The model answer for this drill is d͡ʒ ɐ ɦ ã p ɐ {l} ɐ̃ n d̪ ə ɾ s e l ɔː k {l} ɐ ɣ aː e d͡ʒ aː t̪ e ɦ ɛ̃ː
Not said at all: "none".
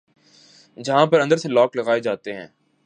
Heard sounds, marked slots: ɾ, l

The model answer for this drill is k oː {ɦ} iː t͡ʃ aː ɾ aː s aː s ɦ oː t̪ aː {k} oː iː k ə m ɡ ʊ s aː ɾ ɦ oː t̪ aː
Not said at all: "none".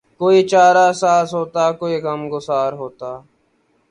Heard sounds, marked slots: none, k

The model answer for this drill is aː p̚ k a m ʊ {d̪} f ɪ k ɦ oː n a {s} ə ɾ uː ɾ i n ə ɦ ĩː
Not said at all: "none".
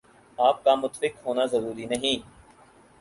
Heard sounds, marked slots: t̪, z

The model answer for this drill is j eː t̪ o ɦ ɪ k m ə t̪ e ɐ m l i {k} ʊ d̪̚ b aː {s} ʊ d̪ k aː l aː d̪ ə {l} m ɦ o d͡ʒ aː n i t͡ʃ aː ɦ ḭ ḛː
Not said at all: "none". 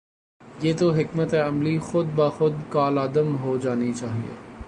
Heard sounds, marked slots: x, x, none

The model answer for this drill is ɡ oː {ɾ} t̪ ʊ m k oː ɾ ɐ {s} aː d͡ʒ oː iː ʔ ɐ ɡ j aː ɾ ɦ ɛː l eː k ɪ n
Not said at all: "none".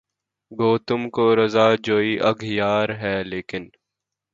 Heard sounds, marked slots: none, z

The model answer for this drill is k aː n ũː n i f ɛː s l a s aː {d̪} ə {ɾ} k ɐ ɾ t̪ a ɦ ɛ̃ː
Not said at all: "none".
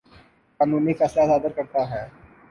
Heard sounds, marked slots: d̪, ɾ

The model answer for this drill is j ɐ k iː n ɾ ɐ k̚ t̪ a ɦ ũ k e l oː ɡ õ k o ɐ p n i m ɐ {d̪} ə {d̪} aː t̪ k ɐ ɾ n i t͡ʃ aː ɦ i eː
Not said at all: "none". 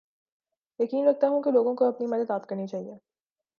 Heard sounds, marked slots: d̪, d̪

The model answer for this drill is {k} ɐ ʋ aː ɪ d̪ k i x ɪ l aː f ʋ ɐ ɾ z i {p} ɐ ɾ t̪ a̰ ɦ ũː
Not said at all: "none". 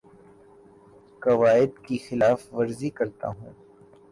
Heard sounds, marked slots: k, k

